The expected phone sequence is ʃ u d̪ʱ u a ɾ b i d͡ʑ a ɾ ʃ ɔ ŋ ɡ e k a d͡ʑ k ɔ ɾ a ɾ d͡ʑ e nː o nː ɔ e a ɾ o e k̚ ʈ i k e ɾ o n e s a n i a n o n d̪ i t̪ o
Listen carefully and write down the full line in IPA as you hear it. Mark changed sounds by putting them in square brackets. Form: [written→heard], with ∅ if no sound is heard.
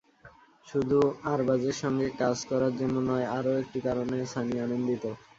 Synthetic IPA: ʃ u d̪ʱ u a ɾ b [i→a] d͡ʑ [a→e] ɾ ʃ ɔ ŋ ɡ e k a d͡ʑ k ɔ ɾ a ɾ d͡ʑ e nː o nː ɔ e a ɾ o e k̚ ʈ i k [e→a] ɾ o n e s a n i a n o n d̪ i t̪ o